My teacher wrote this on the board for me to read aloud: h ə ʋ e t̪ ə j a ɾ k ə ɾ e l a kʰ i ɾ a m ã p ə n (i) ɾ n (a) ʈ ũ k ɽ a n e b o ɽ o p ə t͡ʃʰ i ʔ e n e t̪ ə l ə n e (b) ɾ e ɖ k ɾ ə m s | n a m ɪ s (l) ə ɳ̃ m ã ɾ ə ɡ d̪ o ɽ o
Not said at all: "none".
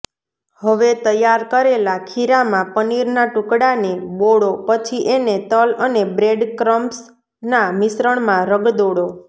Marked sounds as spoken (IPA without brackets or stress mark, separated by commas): i, a, b, ɾ